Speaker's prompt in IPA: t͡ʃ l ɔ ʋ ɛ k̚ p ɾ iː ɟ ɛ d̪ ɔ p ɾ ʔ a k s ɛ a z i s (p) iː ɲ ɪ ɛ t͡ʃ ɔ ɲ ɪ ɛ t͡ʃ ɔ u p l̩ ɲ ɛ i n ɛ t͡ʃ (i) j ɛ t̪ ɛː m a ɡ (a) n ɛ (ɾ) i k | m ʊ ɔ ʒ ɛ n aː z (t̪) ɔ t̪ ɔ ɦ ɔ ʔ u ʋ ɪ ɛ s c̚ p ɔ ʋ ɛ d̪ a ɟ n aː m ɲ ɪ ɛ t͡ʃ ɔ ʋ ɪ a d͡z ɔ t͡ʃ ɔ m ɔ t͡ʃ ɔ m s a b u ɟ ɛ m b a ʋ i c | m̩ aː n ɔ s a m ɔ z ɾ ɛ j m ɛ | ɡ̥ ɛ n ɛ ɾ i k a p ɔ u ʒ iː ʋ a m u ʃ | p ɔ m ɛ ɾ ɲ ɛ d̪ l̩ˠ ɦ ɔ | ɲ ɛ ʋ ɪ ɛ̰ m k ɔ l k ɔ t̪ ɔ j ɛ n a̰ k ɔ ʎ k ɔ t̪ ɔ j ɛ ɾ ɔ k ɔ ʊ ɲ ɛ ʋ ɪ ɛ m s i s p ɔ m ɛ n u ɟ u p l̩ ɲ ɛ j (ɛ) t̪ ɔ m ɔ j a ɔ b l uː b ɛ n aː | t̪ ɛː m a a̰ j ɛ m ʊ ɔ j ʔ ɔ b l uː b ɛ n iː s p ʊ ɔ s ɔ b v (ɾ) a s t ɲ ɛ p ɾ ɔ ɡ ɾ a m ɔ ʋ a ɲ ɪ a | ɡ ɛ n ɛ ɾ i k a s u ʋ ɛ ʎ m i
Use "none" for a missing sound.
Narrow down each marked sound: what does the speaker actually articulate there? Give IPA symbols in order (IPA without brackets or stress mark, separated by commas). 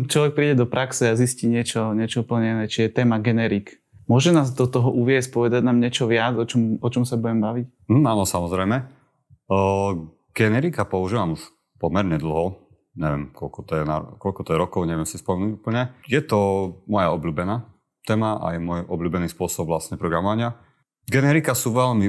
c, i, ɛ, ɾ, d̪, ɛ, l